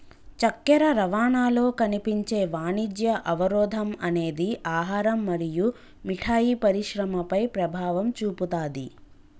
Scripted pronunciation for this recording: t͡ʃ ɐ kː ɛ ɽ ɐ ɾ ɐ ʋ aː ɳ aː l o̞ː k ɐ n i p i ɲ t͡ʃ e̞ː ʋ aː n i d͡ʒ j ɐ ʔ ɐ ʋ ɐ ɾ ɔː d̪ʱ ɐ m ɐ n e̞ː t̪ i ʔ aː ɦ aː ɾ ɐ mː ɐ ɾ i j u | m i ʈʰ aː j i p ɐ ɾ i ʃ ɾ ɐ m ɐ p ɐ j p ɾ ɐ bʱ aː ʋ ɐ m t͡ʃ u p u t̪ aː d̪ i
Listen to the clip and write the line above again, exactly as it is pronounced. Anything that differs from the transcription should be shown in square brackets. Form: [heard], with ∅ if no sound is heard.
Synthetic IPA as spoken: t͡ʃ ɐ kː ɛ [ɾ] ɐ ɾ ɐ ʋ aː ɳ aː l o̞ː k ɐ n i p i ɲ t͡ʃ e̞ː ʋ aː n i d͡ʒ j ɐ ʔ ɐ ʋ ɐ ɾ ɔː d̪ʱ ɐ m ɐ n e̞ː [d̪] i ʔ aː ɦ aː ɾ ɐ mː ɐ ɾ i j u | m i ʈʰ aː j i p ɐ ɾ i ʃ ɾ ɐ m ɐ p ɐ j p ɾ ɐ bʱ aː ʋ ɐ m t͡ʃ [uː] p u t̪ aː d̪ i

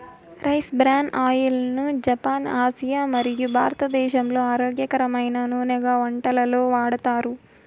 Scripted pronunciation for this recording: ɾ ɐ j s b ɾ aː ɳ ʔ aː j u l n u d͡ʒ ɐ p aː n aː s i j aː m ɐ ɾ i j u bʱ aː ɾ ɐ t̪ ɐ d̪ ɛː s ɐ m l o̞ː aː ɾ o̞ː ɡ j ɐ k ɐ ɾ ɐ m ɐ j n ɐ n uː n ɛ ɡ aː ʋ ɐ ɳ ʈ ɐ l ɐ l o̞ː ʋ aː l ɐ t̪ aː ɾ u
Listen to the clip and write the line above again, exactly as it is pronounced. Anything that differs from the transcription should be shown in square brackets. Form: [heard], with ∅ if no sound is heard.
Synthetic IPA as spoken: ɾ ɐ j s b ɾ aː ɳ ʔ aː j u l n u d͡ʒ ɐ p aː n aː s i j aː m ɐ ɾ i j u bʱ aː ɾ ɐ t̪ ɐ d̪ ɛː [ʃ] ɐ m l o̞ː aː ɾ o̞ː ɡ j ɐ k ɐ ɾ ɐ m ɐ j n ɐ n uː n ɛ ɡ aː ʋ ɐ ɳ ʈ ɐ l ɐ l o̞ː ʋ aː [ɽ] ɐ t̪ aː ɾ u

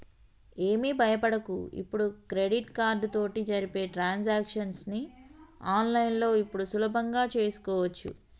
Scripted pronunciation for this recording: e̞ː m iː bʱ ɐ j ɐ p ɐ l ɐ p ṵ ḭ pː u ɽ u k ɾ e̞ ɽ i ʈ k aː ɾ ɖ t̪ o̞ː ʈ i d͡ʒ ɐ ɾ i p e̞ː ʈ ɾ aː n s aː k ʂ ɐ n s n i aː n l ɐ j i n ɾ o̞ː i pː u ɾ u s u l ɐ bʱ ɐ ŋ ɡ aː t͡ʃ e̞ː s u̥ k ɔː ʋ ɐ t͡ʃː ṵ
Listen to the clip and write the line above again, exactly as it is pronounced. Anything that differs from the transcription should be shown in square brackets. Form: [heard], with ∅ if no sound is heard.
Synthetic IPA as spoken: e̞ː m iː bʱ ɐ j ɐ p ɐ [ɽ] ɐ [k] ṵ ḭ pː u ɽ u k ɾ e̞ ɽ i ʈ k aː ɾ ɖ t̪ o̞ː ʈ i d͡ʒ ɐ ɾ i p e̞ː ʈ ɾ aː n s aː k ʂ ɐ n s n i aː n l ɐ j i n [l] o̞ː i pː u [ɽ] u s u l ɐ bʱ ɐ ŋ ɡ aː t͡ʃ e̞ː s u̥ k ɔː ʋ ɐ t͡ʃː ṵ

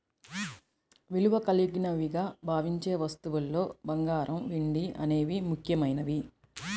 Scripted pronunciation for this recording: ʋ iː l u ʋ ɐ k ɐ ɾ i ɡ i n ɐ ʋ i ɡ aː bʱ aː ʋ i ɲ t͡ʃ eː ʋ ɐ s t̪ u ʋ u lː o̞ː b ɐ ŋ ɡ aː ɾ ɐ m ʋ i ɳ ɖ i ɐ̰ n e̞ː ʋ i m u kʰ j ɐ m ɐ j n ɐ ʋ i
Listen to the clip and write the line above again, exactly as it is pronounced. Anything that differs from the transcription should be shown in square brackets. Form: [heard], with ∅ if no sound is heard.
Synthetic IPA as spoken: ʋ [i] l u ʋ ɐ k ɐ [l] i ɡ i n ɐ ʋ i ɡ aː bʱ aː ʋ i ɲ t͡ʃ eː ʋ ɐ s t̪ u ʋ u lː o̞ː b ɐ ŋ ɡ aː ɾ ɐ m ʋ i ɳ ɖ i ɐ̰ n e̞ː ʋ i m u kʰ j ɐ m ɐ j n ɐ ʋ i

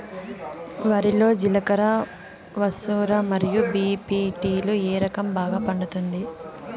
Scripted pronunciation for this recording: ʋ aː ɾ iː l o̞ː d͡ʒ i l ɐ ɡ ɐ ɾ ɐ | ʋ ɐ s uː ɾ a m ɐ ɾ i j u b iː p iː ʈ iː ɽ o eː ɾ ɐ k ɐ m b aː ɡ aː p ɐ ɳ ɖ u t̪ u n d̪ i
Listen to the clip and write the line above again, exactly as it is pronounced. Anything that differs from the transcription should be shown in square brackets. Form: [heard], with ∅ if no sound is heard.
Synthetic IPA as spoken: ʋ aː ɾ [i] l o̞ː d͡ʒ i l ɐ [k] ɐ ɾ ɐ | ʋ ɐ s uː ɾ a m ɐ ɾ i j u b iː p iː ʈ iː [l] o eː ɾ ɐ k ɐ m b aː ɡ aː p ɐ ɳ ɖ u t̪ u n d̪ i

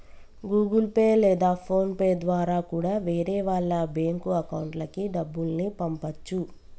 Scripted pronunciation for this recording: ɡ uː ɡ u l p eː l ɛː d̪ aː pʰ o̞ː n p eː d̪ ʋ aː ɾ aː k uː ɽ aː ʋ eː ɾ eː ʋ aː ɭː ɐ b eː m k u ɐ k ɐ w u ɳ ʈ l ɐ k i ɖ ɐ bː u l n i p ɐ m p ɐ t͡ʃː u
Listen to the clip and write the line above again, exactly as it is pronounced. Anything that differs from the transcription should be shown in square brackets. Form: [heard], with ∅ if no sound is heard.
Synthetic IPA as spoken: ɡ uː ɡ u l p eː l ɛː d̪ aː pʰ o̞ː n p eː d̪ ʋ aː ɾ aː k uː ɽ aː ʋ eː ɾ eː ʋ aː ɭː ɐ b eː [ŋ] k u ɐ k ɐ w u ɳ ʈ l ɐ k i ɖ ɐ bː u l n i p ɐ m p ɐ t͡ʃː u

